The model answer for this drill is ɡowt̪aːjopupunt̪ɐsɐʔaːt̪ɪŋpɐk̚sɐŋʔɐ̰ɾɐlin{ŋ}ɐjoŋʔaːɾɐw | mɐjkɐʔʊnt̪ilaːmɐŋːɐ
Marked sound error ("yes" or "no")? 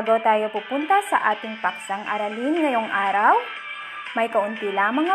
no